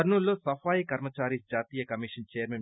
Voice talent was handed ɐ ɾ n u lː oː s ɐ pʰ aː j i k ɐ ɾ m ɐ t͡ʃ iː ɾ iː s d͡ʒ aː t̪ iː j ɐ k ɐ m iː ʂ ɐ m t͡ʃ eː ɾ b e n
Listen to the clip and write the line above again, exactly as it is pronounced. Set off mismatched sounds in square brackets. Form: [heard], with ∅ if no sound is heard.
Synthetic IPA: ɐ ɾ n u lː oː s ɐ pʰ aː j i k ɐ ɾ m ɐ t͡ʃ [aː] ɾ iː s d͡ʒ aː t̪ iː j ɐ k ɐ m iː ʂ ɐ [n] t͡ʃ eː ɾ [m] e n